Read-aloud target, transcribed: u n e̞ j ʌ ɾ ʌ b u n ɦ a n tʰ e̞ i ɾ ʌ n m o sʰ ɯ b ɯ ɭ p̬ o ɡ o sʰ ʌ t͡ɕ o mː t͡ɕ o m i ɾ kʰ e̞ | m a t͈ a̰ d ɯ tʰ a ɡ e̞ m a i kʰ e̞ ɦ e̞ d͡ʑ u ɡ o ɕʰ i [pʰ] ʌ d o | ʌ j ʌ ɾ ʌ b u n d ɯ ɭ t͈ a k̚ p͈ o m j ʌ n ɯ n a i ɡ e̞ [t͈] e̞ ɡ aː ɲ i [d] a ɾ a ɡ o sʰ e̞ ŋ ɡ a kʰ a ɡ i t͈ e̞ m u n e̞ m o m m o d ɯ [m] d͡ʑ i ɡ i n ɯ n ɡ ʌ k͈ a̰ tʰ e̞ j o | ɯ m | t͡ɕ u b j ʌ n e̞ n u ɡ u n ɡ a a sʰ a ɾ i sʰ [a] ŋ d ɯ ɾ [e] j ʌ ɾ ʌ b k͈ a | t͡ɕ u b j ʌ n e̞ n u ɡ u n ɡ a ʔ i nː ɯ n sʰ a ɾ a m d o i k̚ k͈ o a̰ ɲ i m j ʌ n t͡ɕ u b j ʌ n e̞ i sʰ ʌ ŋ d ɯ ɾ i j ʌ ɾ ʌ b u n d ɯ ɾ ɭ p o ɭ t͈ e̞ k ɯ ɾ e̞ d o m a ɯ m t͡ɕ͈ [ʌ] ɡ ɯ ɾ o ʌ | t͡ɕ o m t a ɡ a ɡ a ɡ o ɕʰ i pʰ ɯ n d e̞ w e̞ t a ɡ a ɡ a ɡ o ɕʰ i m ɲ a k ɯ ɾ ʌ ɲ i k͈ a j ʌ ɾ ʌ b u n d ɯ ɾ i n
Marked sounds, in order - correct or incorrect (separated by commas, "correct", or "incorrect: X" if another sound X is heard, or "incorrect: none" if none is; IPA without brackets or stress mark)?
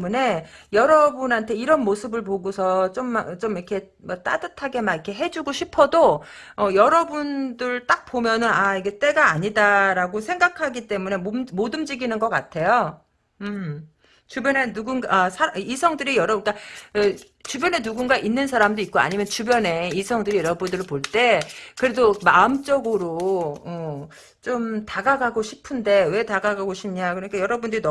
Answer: correct, correct, correct, correct, incorrect: ʌ, incorrect: i, correct